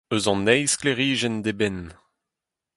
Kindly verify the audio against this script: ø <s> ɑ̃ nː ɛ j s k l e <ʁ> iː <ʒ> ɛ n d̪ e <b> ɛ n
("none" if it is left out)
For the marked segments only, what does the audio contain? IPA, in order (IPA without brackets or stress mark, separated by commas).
z, ʁ, ʒ, b